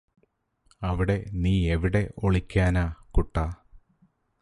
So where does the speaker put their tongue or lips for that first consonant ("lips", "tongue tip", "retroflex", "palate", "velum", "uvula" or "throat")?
lips